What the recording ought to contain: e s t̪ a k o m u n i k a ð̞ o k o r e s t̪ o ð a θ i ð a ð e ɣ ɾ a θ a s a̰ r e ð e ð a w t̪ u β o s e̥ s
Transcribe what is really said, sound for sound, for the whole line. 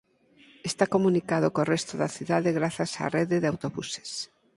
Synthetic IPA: e s t̪ a k o m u n i k a ð̞ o k o r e s t̪ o ð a θ i ð a ð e ɣ ɾ a θ a s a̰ r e ð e ð a w t̪ o β u s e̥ s